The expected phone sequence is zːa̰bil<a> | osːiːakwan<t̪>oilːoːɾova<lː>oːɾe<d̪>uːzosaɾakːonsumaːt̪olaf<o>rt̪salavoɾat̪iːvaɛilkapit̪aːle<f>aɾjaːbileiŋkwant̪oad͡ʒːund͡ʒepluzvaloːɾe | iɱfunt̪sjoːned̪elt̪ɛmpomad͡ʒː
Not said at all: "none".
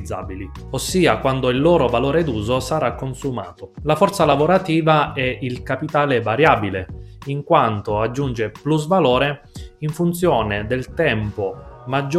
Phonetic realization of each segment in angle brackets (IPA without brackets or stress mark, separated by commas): i, d̪, l, d̪, ɔ, v